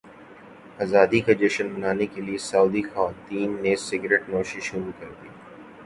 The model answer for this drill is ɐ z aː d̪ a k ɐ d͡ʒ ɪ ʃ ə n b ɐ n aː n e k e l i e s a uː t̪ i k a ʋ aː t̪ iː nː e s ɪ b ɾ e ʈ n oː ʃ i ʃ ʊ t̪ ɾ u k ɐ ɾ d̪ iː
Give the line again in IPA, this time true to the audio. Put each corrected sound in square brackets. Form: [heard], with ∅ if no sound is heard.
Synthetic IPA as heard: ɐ z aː d̪ [i] k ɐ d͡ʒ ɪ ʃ ə n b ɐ n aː n e k e l i e s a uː [d̪] i [x] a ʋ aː t̪ iː nː e s ɪ [ɡ] ɾ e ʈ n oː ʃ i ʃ ʊ [∅] ɾ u k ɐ ɾ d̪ iː